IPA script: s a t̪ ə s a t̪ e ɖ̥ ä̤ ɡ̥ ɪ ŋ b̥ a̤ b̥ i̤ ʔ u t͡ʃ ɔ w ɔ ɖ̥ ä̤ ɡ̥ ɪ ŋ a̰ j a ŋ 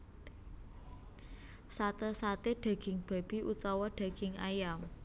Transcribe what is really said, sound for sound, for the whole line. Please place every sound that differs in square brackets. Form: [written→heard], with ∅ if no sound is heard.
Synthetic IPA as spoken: s a t̪ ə s a t̪ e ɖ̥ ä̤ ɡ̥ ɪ ŋ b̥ a̤ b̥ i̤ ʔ u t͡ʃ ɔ w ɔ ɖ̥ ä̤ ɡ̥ ɪ ŋ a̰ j a [ŋ→m]